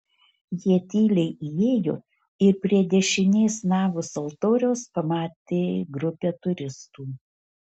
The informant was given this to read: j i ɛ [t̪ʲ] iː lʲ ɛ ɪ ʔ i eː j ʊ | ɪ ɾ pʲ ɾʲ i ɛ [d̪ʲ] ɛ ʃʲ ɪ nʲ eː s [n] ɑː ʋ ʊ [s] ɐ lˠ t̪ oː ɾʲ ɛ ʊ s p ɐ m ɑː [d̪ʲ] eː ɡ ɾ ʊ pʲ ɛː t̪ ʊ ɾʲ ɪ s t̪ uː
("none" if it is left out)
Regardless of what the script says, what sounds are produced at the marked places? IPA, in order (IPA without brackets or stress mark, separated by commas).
t̪ʲ, d̪ʲ, n, s, t̪ʲ